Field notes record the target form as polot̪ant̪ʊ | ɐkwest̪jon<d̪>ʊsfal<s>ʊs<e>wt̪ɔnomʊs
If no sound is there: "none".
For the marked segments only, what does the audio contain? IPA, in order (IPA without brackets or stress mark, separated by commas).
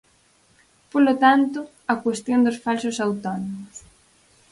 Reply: d̪, s, a